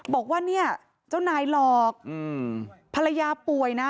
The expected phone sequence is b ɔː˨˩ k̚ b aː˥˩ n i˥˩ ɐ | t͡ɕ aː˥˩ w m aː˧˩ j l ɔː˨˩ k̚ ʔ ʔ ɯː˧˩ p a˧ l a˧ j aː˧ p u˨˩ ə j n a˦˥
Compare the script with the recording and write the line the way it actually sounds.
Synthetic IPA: b ɔː˨˩ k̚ w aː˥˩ n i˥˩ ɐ | t͡ɕ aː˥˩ w n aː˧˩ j l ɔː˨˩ k̚ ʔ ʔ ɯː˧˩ pʰ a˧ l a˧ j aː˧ p u˨˩ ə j n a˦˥

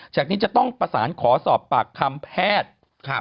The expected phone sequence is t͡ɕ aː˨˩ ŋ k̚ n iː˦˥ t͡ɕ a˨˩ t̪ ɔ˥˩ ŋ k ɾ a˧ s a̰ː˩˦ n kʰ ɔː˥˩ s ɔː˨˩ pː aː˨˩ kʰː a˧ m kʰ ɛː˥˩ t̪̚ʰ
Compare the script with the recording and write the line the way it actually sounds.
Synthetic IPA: t͡ɕ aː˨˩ k̚ n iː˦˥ t͡ɕ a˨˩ t̪ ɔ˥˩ ŋ p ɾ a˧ s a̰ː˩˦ n kʰ ɔː˩˦ s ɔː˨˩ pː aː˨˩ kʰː a˧ m pʰ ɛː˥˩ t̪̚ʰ

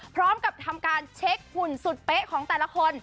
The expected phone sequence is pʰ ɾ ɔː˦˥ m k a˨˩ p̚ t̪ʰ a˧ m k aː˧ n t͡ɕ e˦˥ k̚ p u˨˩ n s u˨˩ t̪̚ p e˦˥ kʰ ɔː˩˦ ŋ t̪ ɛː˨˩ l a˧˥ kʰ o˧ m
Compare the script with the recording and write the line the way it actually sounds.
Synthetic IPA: pʰ ɾ ɔː˦˥ m k a˨˩ p̚ t̪ʰ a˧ m k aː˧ n t͡ɕʰ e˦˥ k̚ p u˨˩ n s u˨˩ t̪̚ p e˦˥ kʰ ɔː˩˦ ŋ t̪ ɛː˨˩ l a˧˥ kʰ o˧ n

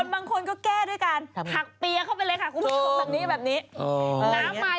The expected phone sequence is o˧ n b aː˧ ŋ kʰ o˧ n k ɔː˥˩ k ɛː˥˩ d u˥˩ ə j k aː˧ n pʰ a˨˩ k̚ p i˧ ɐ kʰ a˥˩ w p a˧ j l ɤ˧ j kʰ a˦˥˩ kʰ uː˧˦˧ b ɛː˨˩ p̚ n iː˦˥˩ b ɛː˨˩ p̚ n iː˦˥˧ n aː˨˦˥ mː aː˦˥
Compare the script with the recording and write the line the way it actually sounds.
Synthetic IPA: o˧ n b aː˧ ŋ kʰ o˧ n k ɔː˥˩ k ɛː˥˩ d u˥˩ ə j k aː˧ n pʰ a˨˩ k̚ p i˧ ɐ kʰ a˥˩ w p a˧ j l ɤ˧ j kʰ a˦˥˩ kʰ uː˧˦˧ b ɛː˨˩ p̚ n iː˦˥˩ b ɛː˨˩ p̚ n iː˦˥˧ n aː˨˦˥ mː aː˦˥

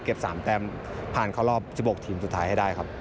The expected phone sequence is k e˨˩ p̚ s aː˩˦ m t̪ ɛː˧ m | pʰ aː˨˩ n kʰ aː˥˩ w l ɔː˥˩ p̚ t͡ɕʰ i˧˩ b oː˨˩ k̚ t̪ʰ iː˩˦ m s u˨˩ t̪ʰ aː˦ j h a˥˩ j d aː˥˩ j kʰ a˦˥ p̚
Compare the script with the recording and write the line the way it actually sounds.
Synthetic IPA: k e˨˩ p̚ s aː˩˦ m t̪ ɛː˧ m | pʰ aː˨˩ n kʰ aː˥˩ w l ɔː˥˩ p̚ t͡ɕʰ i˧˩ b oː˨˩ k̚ t̪ʰ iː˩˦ m s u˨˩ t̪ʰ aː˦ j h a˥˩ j d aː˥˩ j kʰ a˦˥ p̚

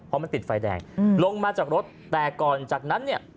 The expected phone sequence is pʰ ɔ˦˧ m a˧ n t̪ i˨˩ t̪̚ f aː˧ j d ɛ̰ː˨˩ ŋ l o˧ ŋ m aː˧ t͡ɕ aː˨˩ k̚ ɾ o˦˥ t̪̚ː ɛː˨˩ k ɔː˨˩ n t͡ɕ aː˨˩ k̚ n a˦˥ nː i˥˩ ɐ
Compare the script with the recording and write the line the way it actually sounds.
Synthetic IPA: pʰ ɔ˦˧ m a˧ n t̪ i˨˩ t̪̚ f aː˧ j d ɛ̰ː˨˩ ŋ l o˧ ŋ m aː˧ t͡ɕ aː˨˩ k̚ ɾ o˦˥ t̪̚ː ɛː˨˩ k ɔː˨˩ n t͡ɕ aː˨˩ k̚ n a˦˥ nː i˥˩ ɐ

